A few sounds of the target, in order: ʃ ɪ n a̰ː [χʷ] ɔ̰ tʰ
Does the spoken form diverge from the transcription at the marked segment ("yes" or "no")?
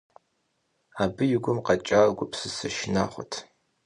no